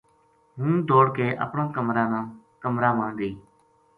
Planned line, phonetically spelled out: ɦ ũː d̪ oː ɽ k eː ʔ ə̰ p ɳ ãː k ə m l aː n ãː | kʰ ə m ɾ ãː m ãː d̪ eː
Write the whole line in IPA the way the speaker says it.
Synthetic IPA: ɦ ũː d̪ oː ɽ k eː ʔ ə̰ p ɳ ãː k ə m ɾ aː n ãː | k ə m ɾ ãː m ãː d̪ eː